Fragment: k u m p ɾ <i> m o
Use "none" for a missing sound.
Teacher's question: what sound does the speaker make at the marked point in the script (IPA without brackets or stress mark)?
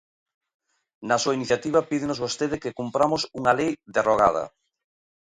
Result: a